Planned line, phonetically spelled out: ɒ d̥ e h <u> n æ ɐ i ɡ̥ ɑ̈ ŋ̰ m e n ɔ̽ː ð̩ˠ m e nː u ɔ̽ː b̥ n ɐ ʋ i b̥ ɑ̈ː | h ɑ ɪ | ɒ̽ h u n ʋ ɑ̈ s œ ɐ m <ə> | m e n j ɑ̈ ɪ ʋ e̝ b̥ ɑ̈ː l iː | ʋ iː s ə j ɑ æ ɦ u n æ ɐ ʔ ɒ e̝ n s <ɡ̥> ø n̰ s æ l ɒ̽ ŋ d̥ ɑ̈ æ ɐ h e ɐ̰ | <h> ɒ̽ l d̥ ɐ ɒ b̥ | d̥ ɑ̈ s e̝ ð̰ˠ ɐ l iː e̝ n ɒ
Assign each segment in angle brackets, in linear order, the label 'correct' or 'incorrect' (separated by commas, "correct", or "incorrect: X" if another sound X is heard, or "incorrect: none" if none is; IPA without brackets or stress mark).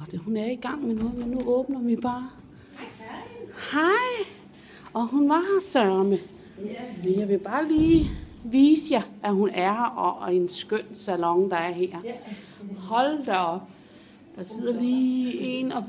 correct, correct, correct, correct